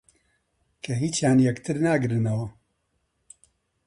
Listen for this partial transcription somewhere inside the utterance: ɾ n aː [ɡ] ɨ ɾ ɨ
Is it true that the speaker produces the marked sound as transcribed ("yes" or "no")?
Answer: yes